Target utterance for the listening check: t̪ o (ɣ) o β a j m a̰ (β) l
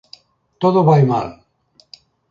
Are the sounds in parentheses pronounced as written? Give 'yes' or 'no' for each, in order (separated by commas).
no, no